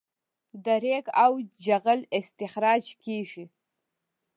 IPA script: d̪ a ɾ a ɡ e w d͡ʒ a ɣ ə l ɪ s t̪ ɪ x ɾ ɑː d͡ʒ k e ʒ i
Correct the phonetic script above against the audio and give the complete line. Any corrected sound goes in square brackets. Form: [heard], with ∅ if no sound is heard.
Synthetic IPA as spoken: d̪ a ɾ [e] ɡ [a] w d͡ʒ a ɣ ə l ɪ s t̪ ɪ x ɾ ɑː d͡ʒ k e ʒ i